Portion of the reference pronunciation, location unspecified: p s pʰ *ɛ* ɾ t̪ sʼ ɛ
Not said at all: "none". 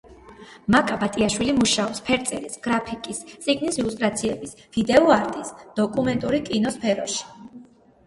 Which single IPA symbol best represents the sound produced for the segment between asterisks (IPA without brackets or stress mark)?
ɛ